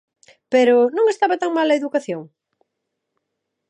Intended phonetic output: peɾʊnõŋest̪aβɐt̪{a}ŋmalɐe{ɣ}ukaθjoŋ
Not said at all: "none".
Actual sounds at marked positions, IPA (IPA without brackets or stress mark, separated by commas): a, ð